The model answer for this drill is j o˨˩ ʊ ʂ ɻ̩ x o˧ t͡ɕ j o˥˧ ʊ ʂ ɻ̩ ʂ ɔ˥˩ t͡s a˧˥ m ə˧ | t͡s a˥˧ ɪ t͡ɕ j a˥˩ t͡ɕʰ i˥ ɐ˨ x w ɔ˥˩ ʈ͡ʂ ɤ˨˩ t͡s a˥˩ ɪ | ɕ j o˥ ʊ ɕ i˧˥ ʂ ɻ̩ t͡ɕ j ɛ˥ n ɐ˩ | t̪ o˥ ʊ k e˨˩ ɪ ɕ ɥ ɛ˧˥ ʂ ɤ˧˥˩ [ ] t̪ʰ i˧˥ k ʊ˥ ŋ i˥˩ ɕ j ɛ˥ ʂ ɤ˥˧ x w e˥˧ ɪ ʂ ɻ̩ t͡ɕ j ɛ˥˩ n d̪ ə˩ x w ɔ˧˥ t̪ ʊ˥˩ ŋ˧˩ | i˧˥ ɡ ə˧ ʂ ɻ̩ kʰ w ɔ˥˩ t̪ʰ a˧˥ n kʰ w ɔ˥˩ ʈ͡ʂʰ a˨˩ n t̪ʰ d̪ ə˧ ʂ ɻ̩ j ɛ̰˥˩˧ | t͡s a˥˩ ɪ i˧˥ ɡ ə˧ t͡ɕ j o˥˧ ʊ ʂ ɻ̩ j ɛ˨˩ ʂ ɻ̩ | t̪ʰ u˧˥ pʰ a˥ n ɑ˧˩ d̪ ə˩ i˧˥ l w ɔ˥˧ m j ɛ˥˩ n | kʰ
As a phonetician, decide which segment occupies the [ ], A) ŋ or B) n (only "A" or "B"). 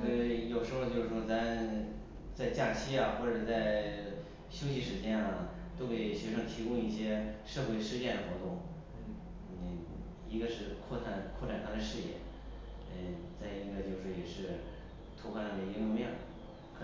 A